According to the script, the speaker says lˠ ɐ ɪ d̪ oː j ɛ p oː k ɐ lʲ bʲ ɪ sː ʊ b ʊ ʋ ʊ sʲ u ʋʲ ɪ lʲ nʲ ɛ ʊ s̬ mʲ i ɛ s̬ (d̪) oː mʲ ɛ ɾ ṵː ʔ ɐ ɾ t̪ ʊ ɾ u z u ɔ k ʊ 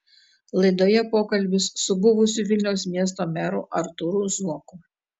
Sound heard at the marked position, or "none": t̪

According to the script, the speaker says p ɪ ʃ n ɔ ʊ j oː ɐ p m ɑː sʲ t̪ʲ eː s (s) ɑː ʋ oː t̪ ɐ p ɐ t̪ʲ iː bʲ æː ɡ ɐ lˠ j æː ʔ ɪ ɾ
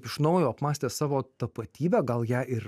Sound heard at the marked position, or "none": s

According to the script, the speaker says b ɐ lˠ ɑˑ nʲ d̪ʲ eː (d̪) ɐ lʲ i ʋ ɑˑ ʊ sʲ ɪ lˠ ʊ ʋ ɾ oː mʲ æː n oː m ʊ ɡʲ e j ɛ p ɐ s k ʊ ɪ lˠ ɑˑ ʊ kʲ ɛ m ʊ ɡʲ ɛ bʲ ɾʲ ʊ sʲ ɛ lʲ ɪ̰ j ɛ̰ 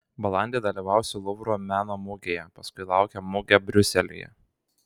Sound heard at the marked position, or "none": d̪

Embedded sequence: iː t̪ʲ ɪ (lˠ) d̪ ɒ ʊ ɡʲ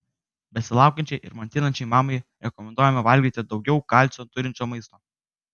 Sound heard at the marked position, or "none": none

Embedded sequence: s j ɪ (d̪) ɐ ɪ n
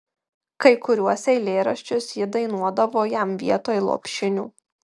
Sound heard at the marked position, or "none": d̪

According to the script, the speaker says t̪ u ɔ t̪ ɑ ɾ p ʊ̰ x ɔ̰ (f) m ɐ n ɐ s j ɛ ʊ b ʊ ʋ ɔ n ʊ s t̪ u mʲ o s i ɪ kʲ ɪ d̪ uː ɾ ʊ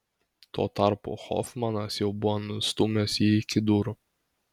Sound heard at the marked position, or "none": f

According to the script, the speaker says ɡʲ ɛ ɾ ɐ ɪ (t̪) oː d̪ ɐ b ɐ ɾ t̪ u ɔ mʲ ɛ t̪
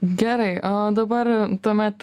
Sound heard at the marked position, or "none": none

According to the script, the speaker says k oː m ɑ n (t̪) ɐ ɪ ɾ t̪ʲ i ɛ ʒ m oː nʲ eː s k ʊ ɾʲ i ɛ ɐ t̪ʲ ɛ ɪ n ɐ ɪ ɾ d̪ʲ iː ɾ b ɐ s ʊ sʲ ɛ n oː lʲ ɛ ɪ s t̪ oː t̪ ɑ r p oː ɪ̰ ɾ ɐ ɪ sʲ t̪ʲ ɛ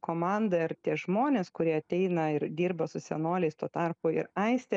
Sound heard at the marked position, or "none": d̪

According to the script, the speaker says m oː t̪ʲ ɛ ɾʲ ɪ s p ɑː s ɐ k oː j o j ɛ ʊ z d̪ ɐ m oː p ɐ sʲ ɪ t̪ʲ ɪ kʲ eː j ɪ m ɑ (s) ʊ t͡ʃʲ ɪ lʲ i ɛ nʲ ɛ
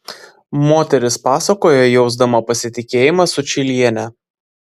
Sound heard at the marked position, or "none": s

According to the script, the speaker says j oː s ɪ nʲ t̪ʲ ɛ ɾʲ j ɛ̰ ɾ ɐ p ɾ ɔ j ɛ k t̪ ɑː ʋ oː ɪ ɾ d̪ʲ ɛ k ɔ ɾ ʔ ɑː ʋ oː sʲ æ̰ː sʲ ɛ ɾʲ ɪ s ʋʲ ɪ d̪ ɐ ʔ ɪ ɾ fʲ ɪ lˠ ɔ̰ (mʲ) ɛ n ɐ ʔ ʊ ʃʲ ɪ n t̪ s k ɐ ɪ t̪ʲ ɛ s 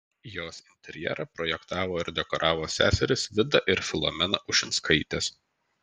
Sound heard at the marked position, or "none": mʲ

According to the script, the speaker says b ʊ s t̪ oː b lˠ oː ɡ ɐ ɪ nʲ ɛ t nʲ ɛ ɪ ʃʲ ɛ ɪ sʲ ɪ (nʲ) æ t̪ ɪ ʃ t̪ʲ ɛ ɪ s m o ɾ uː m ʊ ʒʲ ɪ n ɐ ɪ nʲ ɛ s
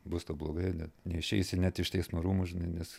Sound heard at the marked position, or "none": nʲ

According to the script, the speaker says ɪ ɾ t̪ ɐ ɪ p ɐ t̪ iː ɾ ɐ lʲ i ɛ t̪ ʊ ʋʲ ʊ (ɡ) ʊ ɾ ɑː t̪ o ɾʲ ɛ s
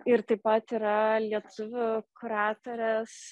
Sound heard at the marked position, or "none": k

